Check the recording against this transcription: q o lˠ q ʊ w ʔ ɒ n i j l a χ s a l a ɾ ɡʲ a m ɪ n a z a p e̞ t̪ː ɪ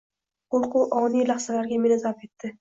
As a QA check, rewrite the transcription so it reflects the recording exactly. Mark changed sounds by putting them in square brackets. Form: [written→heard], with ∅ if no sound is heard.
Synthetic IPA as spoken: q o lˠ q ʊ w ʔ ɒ n i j l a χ s a l a ɾ ɡʲ a m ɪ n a z a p e̞ t̪ː ɪ

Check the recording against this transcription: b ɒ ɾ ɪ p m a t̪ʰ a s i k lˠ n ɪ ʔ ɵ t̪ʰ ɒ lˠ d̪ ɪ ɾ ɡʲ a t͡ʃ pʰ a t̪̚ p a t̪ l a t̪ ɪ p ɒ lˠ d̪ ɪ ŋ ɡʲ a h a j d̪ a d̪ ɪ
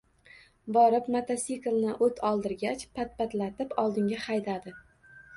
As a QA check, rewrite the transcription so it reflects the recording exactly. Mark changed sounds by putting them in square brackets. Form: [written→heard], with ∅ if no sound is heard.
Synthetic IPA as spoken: b ɒ ɾ ɪ p m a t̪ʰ a s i k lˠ n ɪ ʔ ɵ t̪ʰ ɒ lˠ d̪ ɪ ɾ ɡʲ a t͡ʃ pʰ a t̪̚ p a t̪ l a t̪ ɪ p ɒ lˠ d̪ ɪ ŋ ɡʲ a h a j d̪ a d̪ ɪ

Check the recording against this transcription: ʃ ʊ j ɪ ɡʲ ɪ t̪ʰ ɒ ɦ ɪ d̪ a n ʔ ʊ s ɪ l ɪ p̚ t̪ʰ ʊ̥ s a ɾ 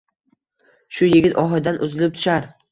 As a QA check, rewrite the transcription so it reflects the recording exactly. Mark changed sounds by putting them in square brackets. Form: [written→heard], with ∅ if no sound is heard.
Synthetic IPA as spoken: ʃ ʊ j ɪ ɡʲ ɪ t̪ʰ ɒ ɦ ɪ d̪ a n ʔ ʊ [s→z] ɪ l ɪ p̚ t̪ʰ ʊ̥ [s→ʃ] a ɾ

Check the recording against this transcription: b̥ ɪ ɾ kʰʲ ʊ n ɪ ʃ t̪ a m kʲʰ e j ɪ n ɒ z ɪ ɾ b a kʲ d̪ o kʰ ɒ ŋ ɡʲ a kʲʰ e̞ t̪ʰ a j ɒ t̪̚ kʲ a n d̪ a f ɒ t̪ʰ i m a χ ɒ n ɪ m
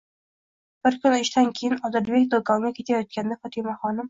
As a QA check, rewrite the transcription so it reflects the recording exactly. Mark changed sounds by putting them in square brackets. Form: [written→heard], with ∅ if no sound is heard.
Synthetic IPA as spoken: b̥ ɪ ɾ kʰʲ ʊ n ɪ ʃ t̪ a [m→n] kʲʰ e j ɪ n ɒ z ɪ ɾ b [a→e] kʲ d̪ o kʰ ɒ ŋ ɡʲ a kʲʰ e̞ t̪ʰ a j ɒ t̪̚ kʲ a n d̪ a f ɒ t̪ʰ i m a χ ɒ n ɪ m

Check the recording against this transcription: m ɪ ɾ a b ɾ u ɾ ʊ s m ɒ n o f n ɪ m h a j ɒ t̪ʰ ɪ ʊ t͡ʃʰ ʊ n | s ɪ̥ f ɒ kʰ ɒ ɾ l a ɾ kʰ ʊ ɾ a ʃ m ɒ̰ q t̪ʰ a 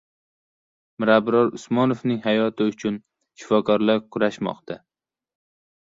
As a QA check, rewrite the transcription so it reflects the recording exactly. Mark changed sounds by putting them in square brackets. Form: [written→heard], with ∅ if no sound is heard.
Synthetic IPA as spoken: m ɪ ɾ a b ɾ [u→ɒ] ɾ ʊ s m ɒ n o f n ɪ [m→ŋ] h a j ɒ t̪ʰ ɪ ʊ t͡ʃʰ ʊ n | [s→ʃ] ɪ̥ f ɒ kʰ ɒ ɾ l a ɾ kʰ ʊ ɾ a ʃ m ɒ̰ q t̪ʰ a

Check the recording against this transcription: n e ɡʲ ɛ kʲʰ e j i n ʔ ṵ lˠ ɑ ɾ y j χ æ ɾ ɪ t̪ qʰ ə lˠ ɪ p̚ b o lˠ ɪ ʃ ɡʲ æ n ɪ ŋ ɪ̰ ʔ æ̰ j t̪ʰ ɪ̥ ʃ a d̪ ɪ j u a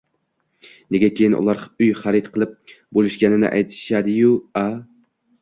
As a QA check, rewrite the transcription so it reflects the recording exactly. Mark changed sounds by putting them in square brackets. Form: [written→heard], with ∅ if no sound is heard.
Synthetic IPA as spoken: n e ɡʲ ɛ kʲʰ e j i n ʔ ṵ lˠ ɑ ɾ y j χ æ ɾ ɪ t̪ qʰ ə lˠ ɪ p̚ b o lˠ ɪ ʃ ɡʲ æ n ɪ [ŋ→n] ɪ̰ ʔ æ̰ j t̪ʰ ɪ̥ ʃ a d̪ ɪ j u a

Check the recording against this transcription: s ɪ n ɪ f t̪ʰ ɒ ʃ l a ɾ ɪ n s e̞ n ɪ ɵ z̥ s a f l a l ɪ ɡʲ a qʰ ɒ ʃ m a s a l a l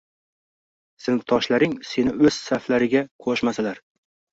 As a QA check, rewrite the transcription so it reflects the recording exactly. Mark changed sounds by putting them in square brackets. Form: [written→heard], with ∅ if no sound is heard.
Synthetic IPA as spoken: s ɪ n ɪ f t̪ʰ ɒ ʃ l a ɾ ɪ [n→ŋ] s e̞ n ɪ ɵ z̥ s a f l a [l→ɾ] ɪ ɡʲ a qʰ [ɒ→o] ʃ m a s a l a [l→ɾ]

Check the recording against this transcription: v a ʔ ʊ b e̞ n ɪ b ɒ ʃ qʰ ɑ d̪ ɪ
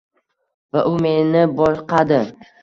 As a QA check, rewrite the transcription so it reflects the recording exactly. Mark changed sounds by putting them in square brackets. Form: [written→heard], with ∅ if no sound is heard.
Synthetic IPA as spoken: v a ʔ ʊ [b→m] e̞ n ɪ b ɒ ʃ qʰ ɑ d̪ ɪ

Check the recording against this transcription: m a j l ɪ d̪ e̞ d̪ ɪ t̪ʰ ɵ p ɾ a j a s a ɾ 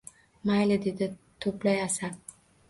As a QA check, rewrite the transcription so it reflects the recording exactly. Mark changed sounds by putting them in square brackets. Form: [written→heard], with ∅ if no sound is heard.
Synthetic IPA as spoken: m a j l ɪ d̪ e̞ d̪ ɪ t̪ʰ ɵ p [ɾ→l] a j a s a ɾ

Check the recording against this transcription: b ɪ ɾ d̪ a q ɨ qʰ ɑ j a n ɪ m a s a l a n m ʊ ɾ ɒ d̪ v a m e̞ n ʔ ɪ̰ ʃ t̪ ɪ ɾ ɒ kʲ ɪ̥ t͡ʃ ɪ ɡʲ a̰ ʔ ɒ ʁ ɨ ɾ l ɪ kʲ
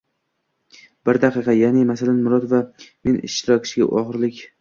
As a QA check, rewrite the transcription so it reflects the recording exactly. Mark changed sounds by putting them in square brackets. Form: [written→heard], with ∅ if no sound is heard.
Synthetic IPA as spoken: b ɪ ɾ d̪ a q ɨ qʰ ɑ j a n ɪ m a s a l a n m ʊ ɾ ɒ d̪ v a m e̞ n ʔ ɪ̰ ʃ t̪ ɪ ɾ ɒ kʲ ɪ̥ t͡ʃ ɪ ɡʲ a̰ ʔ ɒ ʁ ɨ ɾ l ɪ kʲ

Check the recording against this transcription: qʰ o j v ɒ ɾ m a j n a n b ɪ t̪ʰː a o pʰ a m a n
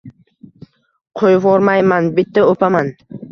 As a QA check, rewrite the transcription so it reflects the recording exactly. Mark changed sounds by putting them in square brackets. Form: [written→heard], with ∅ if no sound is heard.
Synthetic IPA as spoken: qʰ o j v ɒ ɾ m a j [n→m] a n b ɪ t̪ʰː a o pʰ a m a n

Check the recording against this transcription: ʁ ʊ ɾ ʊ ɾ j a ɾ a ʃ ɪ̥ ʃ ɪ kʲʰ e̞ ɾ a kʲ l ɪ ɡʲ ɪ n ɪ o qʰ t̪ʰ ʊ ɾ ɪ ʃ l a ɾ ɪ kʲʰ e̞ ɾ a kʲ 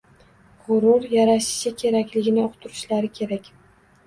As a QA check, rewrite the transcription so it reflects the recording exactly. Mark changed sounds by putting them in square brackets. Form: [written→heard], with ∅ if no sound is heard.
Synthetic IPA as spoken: ʁ ʊ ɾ ʊ ɾ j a ɾ a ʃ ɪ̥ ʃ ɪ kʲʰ e̞ ɾ a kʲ l ɪ ɡʲ ɪ n ɪ o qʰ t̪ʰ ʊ ɾ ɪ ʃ l a ɾ ɪ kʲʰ e̞ ɾ a kʲ

